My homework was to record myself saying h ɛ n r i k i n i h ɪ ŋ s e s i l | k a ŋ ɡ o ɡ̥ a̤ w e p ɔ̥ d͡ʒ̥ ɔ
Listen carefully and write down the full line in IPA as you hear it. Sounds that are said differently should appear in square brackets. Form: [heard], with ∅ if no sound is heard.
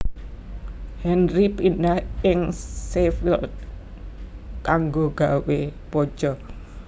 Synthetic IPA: h ɛ n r i [p] i n [a] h ɪ ŋ s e [f] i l | k a ŋ ɡ o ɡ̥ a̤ w e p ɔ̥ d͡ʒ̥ ɔ